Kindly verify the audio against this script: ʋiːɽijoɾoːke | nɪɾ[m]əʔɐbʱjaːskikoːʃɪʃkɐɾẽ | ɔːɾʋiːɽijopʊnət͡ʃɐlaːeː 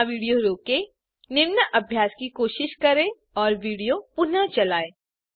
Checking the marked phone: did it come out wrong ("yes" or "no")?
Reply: yes